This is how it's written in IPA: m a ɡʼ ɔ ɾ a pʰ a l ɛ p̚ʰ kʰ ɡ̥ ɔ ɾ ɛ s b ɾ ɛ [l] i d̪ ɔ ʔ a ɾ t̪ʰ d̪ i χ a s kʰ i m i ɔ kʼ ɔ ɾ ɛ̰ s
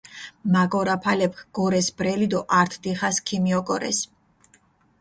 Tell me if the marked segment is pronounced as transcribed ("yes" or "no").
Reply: yes